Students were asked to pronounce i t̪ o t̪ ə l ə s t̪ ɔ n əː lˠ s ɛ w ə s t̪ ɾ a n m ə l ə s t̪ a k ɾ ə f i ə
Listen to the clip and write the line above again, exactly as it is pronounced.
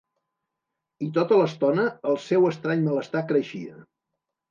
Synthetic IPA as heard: i t̪ o t̪ ə l ə s t̪ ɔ n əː lˠ s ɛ w ə s t̪ ɾ a ɲ m ə l ə s t̪ a k ɾ ə ʃ i ə